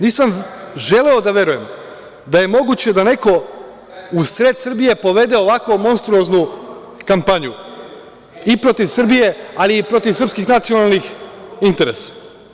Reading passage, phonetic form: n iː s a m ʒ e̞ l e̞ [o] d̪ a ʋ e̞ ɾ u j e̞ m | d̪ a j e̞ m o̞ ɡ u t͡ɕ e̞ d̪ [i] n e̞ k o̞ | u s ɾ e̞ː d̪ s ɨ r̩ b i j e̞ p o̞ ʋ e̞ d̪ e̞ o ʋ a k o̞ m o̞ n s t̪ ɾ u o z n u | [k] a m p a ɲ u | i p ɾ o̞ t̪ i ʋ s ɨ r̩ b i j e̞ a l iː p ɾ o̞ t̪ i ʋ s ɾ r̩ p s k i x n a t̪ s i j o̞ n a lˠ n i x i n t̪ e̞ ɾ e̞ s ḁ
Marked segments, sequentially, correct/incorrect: correct, incorrect: a, correct

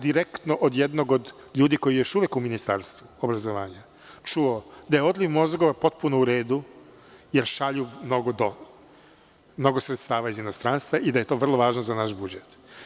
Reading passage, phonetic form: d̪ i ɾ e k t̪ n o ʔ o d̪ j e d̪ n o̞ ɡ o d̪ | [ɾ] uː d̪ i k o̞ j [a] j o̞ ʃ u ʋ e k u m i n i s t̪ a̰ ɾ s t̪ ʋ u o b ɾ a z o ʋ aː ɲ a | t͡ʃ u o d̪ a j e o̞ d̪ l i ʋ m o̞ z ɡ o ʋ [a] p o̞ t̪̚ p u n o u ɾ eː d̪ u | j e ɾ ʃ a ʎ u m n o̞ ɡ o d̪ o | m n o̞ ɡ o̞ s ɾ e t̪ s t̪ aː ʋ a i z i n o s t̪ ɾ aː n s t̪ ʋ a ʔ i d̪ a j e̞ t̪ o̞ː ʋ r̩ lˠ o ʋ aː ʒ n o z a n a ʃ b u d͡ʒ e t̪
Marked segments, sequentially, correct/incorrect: incorrect: ʎ, incorrect: i, correct

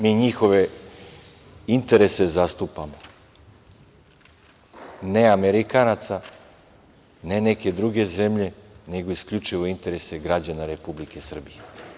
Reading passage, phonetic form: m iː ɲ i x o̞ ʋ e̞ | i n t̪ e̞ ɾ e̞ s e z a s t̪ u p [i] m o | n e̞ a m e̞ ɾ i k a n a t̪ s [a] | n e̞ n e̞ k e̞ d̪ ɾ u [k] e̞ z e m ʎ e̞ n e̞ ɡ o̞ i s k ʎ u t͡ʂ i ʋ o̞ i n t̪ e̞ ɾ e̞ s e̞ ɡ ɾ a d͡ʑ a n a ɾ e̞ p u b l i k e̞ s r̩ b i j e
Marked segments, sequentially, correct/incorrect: incorrect: a, correct, incorrect: ɡ

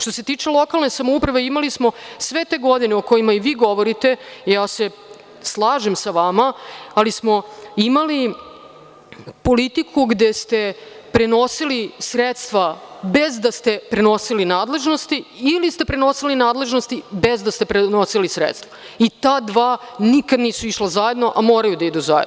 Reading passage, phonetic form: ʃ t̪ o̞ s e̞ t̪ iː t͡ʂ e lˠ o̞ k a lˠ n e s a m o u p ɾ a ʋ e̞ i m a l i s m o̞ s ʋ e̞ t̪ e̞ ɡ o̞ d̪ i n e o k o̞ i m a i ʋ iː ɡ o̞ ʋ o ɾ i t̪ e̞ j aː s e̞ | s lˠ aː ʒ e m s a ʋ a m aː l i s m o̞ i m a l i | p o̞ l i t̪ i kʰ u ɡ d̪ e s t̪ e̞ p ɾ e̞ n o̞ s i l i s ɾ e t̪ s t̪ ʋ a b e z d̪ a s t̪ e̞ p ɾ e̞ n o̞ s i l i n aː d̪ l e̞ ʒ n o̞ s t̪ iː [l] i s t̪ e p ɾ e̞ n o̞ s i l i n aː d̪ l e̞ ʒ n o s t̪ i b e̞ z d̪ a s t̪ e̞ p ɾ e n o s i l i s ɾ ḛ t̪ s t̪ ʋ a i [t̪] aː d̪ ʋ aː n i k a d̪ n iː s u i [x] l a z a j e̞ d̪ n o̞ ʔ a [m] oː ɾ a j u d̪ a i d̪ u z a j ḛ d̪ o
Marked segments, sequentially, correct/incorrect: correct, correct, incorrect: ʃ, correct

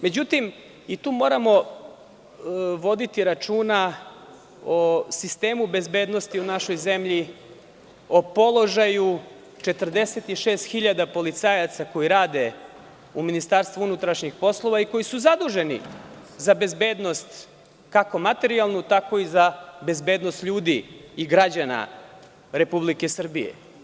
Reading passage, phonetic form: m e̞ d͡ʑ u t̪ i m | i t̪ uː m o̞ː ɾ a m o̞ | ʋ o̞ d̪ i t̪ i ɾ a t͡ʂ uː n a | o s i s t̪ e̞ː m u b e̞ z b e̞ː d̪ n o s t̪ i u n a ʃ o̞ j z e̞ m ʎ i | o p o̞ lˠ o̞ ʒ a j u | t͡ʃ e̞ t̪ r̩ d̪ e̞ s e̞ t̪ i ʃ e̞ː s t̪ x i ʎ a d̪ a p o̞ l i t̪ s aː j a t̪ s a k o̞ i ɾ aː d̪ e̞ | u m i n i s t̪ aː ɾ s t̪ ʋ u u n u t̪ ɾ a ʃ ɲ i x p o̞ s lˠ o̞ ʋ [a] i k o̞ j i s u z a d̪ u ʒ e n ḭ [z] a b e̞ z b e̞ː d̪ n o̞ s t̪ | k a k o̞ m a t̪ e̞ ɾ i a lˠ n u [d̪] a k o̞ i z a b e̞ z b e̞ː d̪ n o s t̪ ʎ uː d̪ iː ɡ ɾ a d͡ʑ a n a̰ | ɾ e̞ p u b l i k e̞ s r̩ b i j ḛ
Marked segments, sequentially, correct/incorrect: correct, correct, incorrect: t̪

